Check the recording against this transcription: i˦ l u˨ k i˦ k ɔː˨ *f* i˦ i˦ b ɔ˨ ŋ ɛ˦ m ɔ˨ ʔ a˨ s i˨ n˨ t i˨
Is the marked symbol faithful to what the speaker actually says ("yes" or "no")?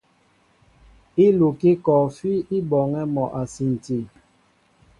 yes